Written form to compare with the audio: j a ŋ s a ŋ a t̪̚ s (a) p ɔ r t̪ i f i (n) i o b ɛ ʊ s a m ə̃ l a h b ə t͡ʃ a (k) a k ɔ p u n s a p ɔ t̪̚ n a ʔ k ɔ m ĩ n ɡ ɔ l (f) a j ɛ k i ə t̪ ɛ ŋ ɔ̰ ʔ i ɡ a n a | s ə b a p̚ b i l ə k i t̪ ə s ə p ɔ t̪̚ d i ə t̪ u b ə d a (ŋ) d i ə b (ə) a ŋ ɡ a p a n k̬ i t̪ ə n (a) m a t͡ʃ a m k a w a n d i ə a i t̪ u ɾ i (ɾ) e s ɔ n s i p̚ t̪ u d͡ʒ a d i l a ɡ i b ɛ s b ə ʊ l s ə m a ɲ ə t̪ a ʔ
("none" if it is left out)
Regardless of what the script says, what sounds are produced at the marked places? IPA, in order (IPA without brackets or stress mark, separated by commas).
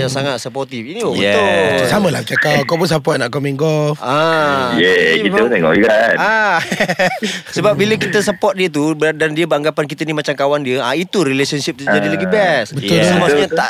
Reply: ə, n, k, f, n, ə, i, l